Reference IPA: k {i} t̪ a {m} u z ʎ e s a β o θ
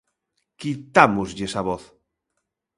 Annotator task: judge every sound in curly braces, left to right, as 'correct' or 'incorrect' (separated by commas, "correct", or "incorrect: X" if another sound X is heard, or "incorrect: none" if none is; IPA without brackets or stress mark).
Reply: correct, correct